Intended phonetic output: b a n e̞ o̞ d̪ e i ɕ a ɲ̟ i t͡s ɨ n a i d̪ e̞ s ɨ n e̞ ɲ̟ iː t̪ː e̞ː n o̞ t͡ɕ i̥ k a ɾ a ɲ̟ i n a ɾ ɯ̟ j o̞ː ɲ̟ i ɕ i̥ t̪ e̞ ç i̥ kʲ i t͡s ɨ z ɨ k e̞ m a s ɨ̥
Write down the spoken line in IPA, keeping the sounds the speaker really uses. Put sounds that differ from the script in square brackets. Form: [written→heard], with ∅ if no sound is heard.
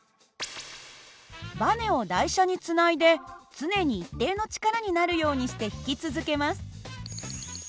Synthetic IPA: b a n e̞ o̞ d̪ [e→a] i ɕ a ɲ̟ i t͡s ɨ n a i d̪ e̞ [s→t͡s] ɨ n e̞ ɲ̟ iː t̪ː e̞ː n o̞ t͡ɕ i̥ k a ɾ a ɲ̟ i n a ɾ ɯ̟ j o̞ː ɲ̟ i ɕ i̥ t̪ e̞ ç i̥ kʲ i t͡s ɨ z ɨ k e̞ m a s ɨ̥